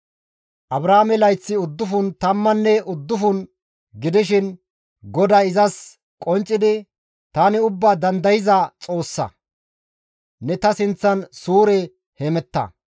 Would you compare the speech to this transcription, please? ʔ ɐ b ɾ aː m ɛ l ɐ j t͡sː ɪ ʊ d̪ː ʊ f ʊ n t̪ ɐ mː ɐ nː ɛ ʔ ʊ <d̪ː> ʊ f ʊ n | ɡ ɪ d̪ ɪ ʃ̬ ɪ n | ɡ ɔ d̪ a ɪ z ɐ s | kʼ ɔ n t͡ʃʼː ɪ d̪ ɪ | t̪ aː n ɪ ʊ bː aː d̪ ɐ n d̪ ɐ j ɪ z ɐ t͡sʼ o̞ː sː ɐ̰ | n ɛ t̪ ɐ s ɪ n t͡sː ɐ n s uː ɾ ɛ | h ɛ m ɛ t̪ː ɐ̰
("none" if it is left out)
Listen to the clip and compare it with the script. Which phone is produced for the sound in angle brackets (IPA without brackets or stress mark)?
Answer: d̪ː